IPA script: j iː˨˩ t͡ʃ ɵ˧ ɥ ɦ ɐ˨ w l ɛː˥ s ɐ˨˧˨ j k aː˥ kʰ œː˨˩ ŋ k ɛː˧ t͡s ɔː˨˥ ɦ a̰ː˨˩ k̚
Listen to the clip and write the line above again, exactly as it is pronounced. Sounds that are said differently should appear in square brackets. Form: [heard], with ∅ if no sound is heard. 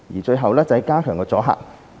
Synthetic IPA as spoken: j iː˨˩ t͡ʃ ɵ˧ ɥ ɦ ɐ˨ w l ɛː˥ [t͡s] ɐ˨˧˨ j k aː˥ kʰ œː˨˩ ŋ k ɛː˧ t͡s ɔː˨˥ ɦ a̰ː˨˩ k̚